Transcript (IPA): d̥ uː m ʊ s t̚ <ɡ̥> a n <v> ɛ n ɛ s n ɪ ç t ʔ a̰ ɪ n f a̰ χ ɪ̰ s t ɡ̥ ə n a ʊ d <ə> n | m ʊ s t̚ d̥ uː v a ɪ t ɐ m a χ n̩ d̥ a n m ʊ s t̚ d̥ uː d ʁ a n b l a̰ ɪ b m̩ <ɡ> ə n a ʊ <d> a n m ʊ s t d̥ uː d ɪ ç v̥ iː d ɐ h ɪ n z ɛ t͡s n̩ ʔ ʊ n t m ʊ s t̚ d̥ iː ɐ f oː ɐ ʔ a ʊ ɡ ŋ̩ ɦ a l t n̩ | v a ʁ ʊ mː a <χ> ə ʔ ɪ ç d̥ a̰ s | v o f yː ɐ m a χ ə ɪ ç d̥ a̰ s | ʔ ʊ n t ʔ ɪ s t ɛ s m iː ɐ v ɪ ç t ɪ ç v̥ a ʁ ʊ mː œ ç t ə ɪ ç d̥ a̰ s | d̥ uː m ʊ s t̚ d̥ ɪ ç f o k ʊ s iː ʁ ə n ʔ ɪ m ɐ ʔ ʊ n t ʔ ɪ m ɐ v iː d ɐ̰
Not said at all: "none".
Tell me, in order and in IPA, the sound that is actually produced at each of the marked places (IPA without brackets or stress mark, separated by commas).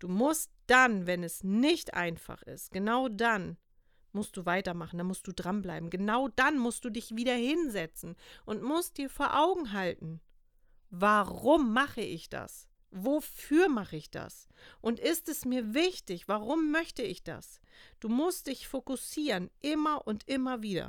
d̥, v, a, ɡ, d, χ